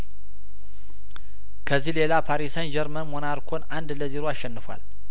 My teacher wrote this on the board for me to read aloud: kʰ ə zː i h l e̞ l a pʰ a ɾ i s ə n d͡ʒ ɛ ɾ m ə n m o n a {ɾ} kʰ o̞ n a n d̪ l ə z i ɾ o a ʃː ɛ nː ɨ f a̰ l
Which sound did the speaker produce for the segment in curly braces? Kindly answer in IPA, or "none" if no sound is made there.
ɾ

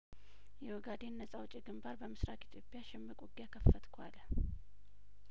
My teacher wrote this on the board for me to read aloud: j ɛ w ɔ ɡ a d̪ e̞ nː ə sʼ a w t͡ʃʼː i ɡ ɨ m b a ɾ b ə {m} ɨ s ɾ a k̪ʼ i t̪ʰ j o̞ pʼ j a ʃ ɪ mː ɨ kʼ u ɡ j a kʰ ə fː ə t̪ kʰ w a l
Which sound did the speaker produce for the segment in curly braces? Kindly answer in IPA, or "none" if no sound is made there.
m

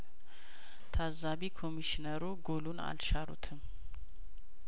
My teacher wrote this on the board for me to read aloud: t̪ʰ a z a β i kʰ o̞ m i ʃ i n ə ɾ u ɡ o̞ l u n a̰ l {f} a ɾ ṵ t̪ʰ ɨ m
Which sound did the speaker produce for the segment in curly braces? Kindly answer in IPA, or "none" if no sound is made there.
ʃ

